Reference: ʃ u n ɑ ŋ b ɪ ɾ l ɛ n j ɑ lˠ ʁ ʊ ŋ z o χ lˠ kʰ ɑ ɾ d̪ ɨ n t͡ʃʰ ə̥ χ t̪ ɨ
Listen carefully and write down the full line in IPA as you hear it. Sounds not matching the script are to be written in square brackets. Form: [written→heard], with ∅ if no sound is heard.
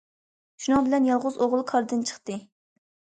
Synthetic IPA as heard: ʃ u n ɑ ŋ b ɪ [ɾ→∅] l ɛ n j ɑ lˠ ʁ ʊ [ŋ→∅] z o [χ→ʁ] lˠ kʰ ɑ ɾ d̪ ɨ n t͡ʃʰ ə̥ χ t̪ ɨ